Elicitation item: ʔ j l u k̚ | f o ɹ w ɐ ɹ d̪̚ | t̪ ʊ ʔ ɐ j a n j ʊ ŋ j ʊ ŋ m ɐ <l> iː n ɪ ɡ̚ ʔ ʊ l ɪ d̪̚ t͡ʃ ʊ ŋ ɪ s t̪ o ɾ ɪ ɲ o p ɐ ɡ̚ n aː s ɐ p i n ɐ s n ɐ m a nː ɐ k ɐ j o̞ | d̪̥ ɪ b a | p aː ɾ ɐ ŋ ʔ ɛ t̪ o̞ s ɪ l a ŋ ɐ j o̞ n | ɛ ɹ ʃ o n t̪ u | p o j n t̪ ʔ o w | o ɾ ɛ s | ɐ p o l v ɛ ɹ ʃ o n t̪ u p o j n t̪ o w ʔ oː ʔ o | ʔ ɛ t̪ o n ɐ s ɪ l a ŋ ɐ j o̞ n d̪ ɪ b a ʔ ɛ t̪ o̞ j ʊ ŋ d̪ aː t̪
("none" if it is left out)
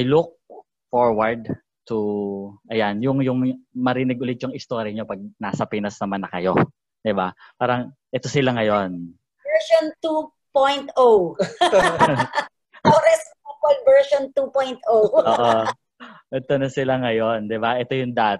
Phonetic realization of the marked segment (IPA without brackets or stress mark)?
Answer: ɾ